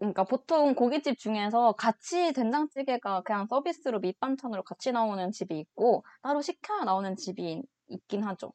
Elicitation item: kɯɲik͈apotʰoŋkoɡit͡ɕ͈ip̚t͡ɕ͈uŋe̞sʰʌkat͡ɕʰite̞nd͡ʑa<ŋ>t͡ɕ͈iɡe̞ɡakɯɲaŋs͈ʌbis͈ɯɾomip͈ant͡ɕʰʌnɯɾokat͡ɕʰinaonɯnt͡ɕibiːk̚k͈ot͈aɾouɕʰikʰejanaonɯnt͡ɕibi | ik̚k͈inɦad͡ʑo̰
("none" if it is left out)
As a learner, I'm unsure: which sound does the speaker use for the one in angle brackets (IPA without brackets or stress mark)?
ŋ